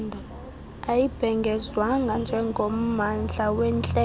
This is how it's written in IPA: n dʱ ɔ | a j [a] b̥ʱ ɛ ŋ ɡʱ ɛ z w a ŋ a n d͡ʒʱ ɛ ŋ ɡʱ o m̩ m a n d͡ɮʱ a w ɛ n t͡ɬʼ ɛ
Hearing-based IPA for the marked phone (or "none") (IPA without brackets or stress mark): i